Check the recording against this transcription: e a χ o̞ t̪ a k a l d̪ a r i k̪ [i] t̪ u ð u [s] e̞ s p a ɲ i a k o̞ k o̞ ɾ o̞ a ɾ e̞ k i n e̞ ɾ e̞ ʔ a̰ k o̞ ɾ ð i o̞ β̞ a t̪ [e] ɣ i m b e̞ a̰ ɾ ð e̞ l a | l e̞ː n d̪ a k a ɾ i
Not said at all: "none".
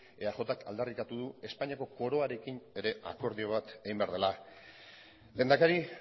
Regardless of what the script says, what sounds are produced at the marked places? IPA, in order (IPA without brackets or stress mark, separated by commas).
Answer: a, none, e